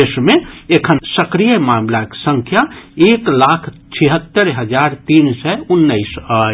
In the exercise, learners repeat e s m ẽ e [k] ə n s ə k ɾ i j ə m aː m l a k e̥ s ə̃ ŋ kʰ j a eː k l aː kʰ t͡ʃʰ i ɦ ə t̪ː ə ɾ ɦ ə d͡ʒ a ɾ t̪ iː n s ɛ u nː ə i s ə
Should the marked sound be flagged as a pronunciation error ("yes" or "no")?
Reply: yes